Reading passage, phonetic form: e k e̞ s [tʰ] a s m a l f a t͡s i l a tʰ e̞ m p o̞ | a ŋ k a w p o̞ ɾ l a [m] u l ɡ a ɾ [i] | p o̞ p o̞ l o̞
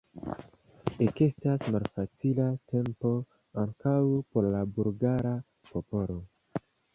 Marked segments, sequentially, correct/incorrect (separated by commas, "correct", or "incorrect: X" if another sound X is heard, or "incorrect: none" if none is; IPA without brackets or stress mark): incorrect: t, incorrect: b, incorrect: a